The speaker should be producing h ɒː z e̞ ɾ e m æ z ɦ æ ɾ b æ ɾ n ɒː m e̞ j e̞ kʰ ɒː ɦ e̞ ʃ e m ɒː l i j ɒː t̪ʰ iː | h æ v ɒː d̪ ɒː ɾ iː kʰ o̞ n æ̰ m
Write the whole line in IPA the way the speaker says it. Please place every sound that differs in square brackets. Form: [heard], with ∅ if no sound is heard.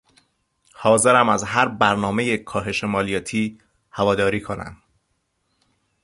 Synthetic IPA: h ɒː z e̞ ɾ [æ] m æ z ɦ æ ɾ b æ ɾ n ɒː m e̞ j e̞ kʰ ɒː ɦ e̞ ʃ e m ɒː l i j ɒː t̪ʰ iː | h æ v ɒː d̪ ɒː ɾ iː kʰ o̞ n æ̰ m

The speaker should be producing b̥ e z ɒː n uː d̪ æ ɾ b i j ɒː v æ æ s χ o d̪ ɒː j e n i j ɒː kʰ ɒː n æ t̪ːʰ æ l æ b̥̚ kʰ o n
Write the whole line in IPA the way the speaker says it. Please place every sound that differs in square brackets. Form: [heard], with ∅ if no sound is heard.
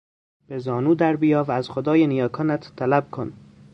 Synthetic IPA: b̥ e z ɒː n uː d̪ æ ɾ b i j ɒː v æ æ [z] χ o d̪ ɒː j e n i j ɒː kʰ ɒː n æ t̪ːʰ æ l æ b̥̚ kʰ o n

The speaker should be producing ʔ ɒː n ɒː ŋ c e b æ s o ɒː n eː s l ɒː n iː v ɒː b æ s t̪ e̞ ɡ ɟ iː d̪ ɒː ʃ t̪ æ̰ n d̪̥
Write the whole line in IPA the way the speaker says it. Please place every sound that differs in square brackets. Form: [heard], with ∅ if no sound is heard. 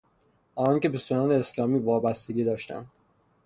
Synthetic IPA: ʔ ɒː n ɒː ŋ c e b [e] s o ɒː n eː s l ɒː [m] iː v ɒː b æ s t̪ e̞ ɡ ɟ iː d̪ ɒː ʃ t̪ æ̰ n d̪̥

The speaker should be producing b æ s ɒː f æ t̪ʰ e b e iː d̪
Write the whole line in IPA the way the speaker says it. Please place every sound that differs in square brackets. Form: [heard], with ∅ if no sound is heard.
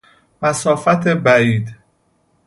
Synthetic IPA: [m] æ s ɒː f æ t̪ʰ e b [æ] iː d̪

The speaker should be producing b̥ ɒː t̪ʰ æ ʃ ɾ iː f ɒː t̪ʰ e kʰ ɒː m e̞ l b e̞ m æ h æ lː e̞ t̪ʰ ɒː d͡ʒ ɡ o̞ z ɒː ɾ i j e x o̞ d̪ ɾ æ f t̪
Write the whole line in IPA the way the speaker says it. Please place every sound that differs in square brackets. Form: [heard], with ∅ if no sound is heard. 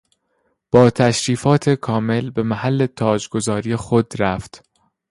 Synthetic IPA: b̥ ɒː t̪ʰ æ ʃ ɾ iː f ɒː t̪ʰ e kʰ ɒː m e̞ l b e̞ m æ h æ lː e̞ t̪ʰ ɒː d͡ʒ ɡ o̞ z ɒː ɾ i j e x o̞ d̪ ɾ æ f t̪

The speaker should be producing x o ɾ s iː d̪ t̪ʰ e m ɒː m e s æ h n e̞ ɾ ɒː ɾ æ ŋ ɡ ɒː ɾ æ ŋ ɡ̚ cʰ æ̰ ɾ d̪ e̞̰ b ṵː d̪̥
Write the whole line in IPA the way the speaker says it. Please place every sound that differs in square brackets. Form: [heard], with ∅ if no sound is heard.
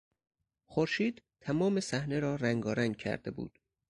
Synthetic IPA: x o ɾ [ʃ] iː d̪ t̪ʰ [æ] m ɒː m e s æ h n e̞ ɾ ɒː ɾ æ ŋ ɡ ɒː ɾ æ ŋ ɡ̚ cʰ æ̰ ɾ d̪ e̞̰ b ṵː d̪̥

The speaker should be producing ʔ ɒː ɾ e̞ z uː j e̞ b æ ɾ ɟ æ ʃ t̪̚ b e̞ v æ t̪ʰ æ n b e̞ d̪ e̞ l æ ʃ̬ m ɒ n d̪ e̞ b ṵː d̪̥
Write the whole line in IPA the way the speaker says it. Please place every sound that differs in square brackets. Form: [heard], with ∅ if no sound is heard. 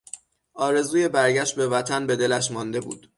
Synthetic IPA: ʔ ɒː ɾ e̞ z uː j e̞ b æ ɾ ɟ æ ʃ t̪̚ b e̞ v æ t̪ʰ æ n b e̞ d̪ e̞ l æ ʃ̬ m ɒ n d̪ e̞ b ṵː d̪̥

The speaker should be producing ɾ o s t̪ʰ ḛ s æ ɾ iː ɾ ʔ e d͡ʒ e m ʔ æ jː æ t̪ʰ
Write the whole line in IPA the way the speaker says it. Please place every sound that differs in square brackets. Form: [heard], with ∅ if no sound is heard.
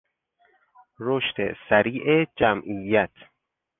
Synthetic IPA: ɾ o [ʃ] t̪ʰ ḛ s æ ɾ iː [∅] ʔ e d͡ʒ [æ] m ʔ [i] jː æ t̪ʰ

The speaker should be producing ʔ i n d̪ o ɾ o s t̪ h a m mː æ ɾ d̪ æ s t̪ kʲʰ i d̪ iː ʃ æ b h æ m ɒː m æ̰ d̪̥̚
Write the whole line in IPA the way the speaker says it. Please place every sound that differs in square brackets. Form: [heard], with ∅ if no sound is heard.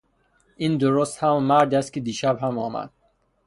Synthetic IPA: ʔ i n d̪ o ɾ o s t̪ h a m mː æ ɾ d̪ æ s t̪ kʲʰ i d̪ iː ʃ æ b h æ m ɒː m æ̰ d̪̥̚

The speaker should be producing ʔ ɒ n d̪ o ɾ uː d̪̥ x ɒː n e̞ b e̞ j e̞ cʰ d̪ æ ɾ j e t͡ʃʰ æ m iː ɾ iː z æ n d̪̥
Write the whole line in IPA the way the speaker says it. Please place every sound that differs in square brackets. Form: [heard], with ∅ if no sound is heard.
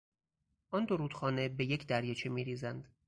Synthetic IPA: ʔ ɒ n d̪ o ɾ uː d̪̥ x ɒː n e̞ b e̞ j e̞ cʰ d̪ æ ɾ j e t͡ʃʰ [e] m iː ɾ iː z æ n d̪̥

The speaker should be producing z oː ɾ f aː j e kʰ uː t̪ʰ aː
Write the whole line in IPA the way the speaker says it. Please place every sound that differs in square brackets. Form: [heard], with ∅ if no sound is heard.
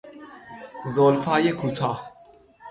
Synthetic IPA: z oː [l] f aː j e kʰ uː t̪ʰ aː

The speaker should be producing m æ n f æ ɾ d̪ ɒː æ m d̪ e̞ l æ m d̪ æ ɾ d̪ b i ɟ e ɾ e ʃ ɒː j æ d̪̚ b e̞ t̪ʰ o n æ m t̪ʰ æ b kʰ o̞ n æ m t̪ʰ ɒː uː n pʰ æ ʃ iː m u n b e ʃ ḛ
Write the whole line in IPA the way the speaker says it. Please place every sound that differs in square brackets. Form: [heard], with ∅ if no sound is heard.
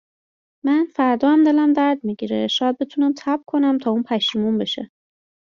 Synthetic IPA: m æ n f æ ɾ d̪ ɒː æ m d̪ e̞ l æ m d̪ æ ɾ d̪ [m] i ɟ [i] ɾ e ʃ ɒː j æ d̪̚ b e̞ t̪ʰ [u] n æ m t̪ʰ æ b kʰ o̞ n æ m t̪ʰ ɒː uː n pʰ æ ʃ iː m u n b e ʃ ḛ

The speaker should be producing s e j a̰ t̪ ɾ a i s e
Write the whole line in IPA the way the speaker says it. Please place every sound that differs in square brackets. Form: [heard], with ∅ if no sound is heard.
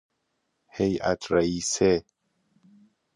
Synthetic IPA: [h] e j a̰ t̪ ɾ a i s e

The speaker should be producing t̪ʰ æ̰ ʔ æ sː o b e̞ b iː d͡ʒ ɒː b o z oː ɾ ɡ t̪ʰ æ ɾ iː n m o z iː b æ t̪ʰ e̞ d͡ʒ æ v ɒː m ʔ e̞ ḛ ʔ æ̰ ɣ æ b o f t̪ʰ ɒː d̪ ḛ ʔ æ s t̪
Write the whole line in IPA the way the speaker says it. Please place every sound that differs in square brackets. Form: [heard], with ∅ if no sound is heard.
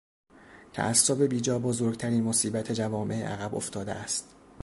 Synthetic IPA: t̪ʰ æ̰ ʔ æ sː o b e̞ b iː d͡ʒ ɒː b o z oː ɾ ɡ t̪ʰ æ ɾ iː n m o [s] iː b æ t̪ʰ e̞ d͡ʒ æ v ɒː m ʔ e̞ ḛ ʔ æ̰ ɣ æ b o f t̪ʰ ɒː d̪ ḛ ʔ æ s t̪

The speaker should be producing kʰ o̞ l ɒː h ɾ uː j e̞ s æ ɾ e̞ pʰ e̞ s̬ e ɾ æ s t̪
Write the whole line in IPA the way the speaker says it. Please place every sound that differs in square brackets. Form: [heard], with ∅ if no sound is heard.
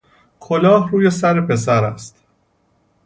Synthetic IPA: kʰ o̞ l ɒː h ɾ uː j e̞ s æ ɾ e̞ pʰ e̞ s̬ [æ] ɾ æ s t̪

